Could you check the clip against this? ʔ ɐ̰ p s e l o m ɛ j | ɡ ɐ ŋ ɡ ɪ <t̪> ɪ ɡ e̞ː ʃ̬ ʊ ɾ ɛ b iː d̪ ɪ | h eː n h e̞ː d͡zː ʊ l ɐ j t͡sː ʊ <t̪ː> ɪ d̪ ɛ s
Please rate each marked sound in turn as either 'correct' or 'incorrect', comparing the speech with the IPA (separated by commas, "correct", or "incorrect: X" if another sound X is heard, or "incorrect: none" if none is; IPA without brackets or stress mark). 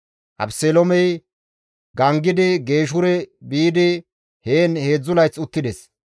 incorrect: d̪, correct